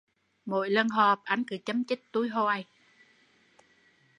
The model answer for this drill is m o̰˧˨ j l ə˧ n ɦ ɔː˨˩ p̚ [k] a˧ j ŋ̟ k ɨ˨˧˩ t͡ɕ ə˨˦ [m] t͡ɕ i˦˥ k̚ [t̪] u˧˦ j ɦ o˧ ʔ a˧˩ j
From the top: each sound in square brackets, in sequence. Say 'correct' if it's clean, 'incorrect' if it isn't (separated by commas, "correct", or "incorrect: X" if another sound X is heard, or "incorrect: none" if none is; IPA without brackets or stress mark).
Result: incorrect: ʔ, correct, correct